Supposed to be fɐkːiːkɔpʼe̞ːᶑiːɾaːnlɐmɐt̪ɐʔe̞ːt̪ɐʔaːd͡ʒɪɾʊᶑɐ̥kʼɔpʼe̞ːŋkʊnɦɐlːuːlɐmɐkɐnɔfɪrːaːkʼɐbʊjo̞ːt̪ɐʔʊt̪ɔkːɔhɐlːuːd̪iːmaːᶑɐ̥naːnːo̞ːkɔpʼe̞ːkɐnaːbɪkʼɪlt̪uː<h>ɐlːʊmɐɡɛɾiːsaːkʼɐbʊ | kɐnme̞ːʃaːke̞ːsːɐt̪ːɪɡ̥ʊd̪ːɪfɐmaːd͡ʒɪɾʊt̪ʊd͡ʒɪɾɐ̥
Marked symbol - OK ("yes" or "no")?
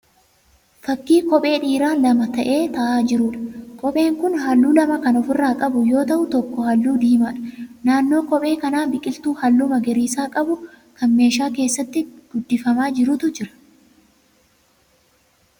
yes